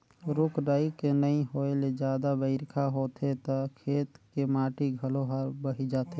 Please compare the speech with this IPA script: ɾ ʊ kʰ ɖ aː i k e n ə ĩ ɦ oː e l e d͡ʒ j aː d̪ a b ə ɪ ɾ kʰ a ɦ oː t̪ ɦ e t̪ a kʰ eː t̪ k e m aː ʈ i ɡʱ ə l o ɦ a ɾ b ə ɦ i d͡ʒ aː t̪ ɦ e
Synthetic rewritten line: ɾ ʊ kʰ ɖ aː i k e n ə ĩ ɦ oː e l e d͡ʒ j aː d̪ a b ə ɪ ɾ kʰ a ɦ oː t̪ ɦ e t̪ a kʰ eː t̪ k e m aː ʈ i ɡʱ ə l o ɦ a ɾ b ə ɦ i d͡ʒ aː t̪ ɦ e